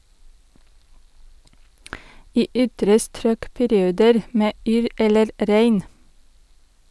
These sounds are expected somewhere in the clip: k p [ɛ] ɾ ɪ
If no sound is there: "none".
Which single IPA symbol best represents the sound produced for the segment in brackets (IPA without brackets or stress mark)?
æ